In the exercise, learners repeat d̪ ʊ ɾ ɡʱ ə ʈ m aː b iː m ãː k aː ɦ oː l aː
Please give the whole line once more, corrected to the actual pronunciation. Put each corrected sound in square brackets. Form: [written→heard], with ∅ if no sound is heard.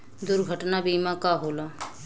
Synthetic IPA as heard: d̪ ʊ ɾ ɡʱ ə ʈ [m→n] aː b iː m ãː k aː ɦ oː l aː

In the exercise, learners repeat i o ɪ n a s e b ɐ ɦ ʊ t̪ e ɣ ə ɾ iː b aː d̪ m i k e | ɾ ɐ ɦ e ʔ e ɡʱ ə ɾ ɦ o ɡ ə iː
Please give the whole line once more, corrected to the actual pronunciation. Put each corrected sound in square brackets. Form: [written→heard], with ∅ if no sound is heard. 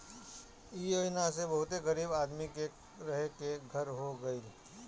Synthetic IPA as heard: i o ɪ n a s e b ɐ ɦ ʊ t̪ e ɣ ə ɾ iː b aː d̪ m i k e | ɾ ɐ ɦ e [ʔ→k] e ɡʱ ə ɾ ɦ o ɡ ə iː

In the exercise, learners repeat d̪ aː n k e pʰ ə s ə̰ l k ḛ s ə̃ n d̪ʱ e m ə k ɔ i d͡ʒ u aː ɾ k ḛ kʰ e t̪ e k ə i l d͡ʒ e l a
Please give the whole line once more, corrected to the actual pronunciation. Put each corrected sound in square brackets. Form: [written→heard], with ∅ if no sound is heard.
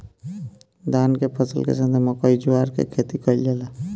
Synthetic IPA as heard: d̪ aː n k e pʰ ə s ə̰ l k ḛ s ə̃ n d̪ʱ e m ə k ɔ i d͡ʒ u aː ɾ k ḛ kʰ e t̪ [e→i] k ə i l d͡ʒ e l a

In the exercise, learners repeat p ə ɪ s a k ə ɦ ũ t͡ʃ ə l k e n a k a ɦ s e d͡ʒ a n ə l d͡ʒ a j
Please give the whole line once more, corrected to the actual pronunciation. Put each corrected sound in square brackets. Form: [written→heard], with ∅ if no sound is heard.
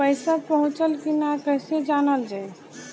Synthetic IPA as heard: p ə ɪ s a [k→p] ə ɦ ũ t͡ʃ ə l k [e→i] n a k [a→ə] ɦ s e d͡ʒ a n ə l d͡ʒ a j

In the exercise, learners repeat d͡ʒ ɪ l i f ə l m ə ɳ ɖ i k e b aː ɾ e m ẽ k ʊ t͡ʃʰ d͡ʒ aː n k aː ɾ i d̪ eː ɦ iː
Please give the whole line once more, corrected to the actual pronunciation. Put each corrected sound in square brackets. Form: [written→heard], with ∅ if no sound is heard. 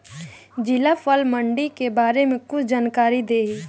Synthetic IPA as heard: d͡ʒ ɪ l [i→a] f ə l m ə ɳ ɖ i k e b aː ɾ e m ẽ k ʊ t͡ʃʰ d͡ʒ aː n k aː ɾ i d̪ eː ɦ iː

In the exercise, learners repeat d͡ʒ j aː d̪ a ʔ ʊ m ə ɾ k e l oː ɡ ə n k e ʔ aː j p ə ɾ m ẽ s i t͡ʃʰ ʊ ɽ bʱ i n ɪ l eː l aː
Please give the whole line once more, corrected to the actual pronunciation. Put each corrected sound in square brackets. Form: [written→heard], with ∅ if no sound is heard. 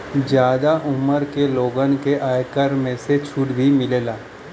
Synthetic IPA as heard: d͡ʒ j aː d̪ a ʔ ʊ m ə ɾ k e l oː ɡ ə n k e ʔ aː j [p→k] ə ɾ m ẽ s [i→e] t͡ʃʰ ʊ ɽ bʱ i [n→m] ɪ l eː l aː

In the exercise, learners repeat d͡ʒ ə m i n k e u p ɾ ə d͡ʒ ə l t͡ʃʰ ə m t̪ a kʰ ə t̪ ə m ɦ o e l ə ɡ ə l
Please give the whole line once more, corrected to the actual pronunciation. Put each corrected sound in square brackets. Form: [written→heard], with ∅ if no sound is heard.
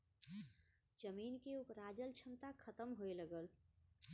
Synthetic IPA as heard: d͡ʒ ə m i n k e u p ɾ [ə→a] d͡ʒ ə l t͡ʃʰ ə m t̪ a kʰ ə t̪ ə m ɦ o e l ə ɡ ə l

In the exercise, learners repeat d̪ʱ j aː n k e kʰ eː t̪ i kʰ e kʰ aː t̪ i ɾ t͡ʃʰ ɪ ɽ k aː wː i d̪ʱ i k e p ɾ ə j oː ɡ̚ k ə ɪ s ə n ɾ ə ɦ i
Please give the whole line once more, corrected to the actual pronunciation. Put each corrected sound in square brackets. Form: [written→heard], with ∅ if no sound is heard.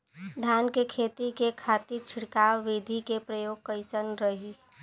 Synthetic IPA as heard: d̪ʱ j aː n k e kʰ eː t̪ i [kʰ→k] e kʰ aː t̪ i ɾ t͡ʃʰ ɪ ɽ k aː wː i d̪ʱ i k e p ɾ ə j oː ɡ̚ k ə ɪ s ə n ɾ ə ɦ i

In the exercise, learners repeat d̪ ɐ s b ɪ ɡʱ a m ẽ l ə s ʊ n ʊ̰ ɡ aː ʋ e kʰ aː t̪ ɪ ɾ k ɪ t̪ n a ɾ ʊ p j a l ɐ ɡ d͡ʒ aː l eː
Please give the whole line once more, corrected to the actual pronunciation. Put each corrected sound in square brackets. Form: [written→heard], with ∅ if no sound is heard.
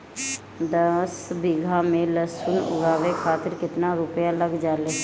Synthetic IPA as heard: d̪ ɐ s b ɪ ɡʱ a m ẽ l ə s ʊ n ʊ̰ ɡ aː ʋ e kʰ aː t̪ ɪ ɾ k ɪ t̪ n a ɾ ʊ p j a l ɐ ɡ d͡ʒ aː l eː

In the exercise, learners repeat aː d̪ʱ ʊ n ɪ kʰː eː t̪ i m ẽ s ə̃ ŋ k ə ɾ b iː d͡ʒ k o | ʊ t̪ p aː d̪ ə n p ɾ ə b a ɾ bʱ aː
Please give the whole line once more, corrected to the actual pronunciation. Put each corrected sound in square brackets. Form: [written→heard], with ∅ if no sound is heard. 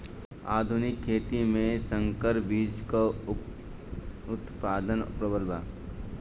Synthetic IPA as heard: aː d̪ʱ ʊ n ɪ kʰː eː t̪ i m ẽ s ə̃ ŋ k ə ɾ b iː d͡ʒ k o | ʊ t̪ p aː d̪ ə n p ɾ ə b [a→ə] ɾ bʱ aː

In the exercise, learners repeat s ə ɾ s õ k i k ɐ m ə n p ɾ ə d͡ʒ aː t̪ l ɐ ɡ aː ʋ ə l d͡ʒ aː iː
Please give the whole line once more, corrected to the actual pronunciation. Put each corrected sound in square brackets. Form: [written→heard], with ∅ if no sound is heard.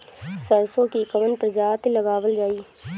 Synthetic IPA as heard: s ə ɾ s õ k i k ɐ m ə n p ɾ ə d͡ʒ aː t̪ l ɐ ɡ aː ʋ ə l d͡ʒ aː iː

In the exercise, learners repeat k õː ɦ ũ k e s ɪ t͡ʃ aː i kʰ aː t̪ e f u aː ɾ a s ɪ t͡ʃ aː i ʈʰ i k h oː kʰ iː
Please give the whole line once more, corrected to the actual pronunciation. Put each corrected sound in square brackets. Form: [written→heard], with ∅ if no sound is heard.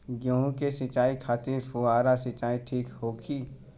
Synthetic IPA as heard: [k→ɡ] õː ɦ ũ k e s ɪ t͡ʃ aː i kʰ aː t̪ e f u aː ɾ a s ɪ t͡ʃ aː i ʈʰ [i→iː] k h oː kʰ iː

